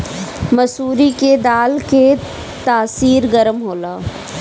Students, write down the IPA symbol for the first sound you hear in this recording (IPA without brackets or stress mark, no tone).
m